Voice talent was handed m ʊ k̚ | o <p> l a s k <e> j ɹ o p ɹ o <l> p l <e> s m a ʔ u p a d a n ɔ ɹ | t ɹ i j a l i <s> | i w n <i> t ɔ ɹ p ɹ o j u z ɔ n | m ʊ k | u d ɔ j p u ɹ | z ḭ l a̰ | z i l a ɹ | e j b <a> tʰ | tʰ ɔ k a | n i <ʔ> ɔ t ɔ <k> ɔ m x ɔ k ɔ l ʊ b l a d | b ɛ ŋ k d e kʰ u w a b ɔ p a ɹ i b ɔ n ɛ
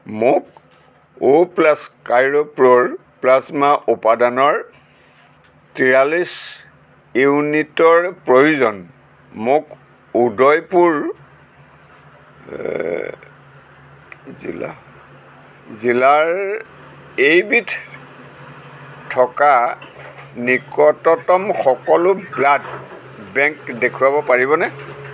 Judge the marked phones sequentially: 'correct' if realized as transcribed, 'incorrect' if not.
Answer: correct, incorrect: a, incorrect: ɹ, incorrect: a, correct, correct, incorrect: i, incorrect: k, incorrect: t

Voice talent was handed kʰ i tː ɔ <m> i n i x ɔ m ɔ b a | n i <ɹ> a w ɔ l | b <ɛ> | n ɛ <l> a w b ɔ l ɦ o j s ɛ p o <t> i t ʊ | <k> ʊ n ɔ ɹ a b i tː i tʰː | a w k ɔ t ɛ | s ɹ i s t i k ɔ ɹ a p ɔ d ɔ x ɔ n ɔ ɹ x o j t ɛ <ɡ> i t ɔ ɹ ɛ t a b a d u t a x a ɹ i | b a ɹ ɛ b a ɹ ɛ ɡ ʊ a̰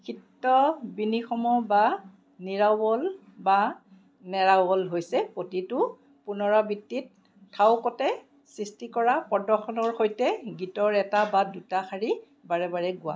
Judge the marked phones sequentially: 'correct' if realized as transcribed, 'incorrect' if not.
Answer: incorrect: b, correct, incorrect: a, incorrect: ɹ, correct, incorrect: p, correct

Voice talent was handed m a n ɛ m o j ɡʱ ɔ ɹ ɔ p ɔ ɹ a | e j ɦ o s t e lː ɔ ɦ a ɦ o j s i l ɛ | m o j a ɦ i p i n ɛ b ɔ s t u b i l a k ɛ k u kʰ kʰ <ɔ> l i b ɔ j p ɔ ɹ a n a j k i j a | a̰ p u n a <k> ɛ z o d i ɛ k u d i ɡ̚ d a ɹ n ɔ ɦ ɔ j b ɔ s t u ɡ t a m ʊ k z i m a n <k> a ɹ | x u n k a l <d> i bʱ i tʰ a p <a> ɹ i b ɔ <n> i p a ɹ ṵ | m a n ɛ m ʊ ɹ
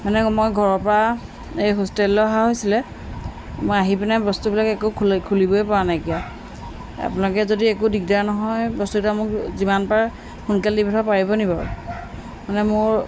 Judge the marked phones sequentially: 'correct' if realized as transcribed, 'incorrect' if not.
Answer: incorrect: u, correct, incorrect: p, correct, correct, correct

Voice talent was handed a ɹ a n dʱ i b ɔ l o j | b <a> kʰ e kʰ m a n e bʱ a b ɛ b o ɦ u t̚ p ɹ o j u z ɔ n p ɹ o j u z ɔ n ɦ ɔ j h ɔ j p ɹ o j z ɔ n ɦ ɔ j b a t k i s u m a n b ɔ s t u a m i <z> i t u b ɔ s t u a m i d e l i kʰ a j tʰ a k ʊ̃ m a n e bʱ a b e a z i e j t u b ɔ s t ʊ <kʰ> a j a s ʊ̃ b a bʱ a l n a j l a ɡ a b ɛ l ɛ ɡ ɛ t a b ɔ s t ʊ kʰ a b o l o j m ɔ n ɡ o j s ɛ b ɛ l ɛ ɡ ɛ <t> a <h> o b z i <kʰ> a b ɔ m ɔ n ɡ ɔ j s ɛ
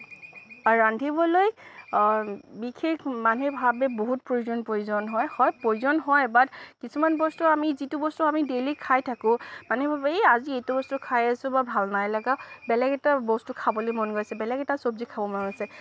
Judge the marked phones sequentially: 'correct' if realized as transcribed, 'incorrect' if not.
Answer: incorrect: i, correct, correct, correct, incorrect: s, correct

